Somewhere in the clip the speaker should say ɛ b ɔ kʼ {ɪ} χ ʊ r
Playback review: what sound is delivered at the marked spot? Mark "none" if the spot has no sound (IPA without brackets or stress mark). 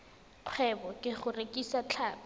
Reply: ɪ